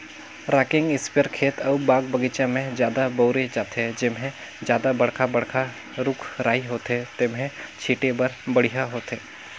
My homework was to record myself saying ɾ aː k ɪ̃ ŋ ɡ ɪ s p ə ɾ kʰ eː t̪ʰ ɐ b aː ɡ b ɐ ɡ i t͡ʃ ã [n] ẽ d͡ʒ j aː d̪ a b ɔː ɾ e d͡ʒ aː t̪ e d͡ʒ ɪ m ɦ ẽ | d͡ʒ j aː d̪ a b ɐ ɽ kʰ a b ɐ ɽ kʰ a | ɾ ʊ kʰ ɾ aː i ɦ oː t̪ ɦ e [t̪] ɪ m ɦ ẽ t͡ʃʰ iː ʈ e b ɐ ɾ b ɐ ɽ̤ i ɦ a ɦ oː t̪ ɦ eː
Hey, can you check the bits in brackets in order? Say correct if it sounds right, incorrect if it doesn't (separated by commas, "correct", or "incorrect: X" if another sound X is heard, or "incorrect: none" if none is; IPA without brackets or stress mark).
incorrect: m, correct